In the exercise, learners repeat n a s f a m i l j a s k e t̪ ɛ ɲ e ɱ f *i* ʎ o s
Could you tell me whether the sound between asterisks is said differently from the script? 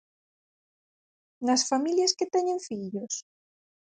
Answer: no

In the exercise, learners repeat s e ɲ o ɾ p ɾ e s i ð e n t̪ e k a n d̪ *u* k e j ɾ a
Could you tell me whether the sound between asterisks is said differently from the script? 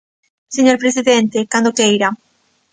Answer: yes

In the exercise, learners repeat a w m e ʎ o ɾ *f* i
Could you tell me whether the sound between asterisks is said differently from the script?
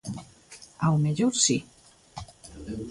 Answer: yes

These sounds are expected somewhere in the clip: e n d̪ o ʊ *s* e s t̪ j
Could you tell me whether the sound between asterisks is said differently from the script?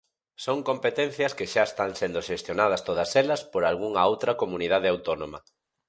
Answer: yes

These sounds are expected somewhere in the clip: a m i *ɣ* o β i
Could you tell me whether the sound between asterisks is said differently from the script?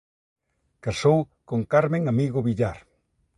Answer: no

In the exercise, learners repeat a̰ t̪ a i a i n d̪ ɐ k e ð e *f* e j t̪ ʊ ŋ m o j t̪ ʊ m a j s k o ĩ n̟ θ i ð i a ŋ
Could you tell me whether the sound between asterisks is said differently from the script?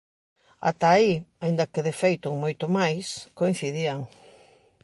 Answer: no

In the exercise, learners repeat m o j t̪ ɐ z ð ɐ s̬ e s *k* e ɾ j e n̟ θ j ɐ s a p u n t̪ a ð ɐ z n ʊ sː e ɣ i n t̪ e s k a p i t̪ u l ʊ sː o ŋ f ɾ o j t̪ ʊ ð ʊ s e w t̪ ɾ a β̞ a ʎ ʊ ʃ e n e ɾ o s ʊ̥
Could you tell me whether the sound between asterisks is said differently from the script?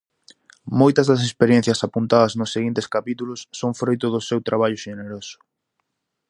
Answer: yes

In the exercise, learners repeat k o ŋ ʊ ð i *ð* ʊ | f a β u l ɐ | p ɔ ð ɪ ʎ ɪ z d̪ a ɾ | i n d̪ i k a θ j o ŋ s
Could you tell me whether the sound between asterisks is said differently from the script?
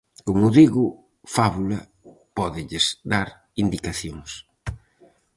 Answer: yes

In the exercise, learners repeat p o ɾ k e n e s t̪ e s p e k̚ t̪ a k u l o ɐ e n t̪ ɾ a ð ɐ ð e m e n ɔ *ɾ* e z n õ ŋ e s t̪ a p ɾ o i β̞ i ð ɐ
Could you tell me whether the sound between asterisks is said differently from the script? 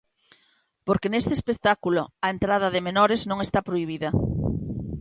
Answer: no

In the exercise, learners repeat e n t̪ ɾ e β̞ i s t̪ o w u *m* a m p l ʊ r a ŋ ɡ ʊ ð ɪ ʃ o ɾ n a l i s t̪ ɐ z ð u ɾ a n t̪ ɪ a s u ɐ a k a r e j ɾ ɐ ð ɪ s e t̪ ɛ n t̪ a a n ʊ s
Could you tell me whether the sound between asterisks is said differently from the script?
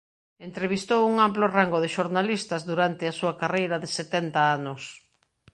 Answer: yes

